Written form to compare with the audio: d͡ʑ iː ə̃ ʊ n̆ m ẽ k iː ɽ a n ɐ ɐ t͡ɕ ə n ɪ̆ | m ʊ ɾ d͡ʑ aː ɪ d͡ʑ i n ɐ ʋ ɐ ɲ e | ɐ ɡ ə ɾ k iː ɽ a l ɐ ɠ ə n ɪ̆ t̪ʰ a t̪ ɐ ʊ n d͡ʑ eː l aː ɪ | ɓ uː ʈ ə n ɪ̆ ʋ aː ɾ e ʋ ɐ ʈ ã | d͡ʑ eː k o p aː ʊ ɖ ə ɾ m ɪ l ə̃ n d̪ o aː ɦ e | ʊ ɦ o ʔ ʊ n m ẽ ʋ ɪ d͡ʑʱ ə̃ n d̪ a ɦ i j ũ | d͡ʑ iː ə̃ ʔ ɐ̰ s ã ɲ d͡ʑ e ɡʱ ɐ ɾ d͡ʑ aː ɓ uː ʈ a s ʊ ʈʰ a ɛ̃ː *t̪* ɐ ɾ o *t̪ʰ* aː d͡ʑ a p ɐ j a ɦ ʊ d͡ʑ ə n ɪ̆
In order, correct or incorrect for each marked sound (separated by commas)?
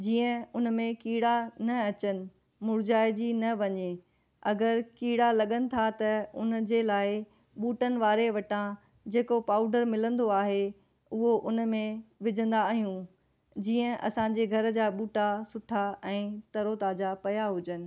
correct, incorrect